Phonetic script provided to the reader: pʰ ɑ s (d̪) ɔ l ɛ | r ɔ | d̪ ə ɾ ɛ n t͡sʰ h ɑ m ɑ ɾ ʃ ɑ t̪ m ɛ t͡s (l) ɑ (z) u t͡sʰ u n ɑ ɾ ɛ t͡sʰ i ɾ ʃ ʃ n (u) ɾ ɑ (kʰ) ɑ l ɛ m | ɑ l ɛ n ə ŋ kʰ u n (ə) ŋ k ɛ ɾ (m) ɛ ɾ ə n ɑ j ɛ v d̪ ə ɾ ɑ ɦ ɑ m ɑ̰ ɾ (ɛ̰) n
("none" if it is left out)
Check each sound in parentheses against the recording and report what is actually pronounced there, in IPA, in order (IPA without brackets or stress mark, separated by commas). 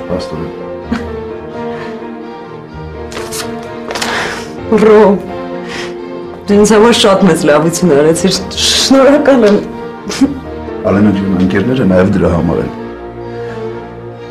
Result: t̪, l, v, ɔ, k, ə, n, ɛ̰